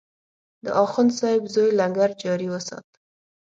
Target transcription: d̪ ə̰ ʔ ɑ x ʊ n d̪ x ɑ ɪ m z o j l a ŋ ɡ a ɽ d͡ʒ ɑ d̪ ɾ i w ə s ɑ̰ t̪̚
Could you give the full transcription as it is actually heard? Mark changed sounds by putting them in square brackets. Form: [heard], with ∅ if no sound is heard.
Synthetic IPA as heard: d̪ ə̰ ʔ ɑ x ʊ n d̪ [s] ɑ ɪ [b] z o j l a ŋ ɡ a [ɾ] d͡ʒ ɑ [∅] ɾ i w ə s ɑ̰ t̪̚